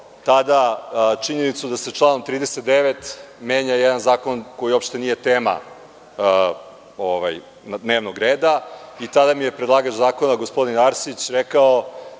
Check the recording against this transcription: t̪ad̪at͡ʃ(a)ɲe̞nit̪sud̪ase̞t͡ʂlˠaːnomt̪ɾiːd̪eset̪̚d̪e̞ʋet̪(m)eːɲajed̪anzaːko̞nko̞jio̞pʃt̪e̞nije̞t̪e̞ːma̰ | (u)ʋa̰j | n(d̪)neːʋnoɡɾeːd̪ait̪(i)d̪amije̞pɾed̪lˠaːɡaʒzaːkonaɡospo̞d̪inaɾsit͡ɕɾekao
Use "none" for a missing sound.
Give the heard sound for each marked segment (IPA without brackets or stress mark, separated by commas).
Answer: i, m, o, d̪, a